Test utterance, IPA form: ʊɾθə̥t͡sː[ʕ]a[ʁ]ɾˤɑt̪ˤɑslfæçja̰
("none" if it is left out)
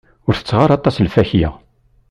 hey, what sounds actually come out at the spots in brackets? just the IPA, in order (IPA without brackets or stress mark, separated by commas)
ʁ, none